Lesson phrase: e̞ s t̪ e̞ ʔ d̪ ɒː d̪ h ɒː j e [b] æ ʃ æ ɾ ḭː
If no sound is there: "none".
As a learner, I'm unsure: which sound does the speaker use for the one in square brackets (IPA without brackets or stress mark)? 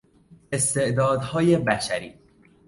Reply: b